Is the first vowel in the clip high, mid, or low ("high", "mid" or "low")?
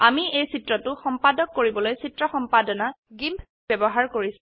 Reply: low